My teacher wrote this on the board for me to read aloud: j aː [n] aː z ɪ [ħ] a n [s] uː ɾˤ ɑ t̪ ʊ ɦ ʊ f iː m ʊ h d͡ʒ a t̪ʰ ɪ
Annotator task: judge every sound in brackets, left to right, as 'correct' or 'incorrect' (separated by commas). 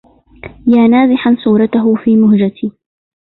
correct, correct, correct